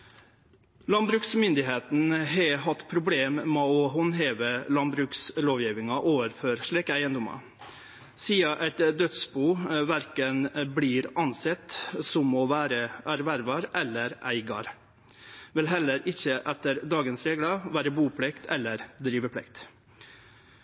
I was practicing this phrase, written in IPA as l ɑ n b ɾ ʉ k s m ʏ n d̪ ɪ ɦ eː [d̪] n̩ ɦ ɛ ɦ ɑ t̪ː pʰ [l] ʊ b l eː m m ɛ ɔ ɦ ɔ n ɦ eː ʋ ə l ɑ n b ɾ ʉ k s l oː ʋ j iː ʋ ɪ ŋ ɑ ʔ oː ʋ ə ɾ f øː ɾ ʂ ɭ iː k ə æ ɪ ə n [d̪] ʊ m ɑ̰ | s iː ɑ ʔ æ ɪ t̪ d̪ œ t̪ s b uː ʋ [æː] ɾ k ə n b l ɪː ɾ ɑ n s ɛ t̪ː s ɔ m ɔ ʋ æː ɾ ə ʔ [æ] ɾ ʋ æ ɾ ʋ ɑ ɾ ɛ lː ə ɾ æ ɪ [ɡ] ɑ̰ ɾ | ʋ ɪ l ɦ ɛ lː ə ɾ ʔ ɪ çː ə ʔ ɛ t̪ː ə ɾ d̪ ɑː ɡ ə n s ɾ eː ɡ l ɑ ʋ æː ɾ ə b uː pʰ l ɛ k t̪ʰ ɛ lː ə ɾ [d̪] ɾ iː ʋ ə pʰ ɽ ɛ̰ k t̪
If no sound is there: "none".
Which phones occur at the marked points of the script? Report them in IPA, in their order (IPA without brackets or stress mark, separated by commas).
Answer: t̪, ɾ, d̪, æ, æ, ɡ, d̪